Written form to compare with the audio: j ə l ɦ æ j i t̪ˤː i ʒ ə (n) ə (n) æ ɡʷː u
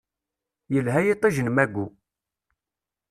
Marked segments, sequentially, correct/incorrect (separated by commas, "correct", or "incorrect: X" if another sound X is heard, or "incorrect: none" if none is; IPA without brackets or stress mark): correct, incorrect: m